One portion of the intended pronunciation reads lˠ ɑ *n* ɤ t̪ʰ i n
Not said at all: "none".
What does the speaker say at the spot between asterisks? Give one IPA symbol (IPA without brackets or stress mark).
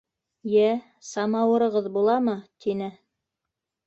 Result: m